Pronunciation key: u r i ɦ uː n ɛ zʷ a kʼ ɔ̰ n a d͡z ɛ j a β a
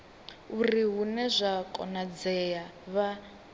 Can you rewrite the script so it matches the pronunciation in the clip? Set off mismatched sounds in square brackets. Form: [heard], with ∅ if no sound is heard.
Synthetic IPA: u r i ɦ [u] n ɛ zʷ a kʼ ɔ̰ n a d͡z ɛ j a β a